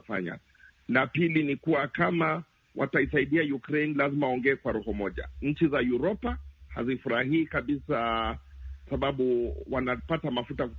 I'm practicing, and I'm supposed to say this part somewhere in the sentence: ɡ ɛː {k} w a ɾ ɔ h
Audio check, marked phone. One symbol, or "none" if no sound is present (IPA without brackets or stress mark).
k